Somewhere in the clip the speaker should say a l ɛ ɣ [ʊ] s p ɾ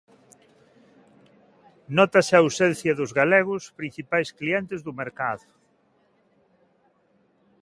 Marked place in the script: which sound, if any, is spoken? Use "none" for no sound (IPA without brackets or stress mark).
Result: ʊ